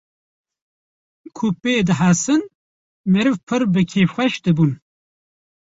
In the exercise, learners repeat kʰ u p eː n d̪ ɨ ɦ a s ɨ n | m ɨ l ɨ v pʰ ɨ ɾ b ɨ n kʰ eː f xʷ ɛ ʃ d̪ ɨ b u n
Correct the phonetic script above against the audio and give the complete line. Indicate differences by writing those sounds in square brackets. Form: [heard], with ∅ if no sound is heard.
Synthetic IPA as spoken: kʰ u p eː [∅] d̪ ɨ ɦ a s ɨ n | m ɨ [ɾ] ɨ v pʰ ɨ ɾ b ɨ [∅] kʰ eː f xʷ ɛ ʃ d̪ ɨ b u n